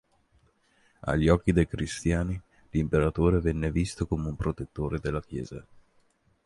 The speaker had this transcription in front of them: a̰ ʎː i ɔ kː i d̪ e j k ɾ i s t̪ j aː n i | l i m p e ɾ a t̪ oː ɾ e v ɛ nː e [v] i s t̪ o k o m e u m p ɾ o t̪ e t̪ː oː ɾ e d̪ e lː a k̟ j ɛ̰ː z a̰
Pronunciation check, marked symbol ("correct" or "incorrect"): correct